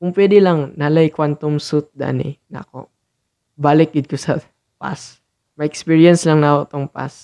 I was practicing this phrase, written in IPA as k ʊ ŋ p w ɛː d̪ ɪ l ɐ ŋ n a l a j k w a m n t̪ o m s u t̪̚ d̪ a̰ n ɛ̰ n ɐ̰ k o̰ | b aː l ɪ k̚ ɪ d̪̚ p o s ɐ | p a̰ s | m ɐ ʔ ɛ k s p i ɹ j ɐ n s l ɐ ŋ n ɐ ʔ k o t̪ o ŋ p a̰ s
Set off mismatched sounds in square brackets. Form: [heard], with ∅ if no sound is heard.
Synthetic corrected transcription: k ʊ ŋ p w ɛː d̪ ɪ l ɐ ŋ n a l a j k w a [∅] n t̪ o m s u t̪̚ d̪ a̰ n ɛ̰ n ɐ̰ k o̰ | b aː l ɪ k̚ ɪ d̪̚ [k] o s ɐ | p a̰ s | m ɐ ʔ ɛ k s p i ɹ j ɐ n s l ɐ ŋ n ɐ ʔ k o t̪ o ŋ p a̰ s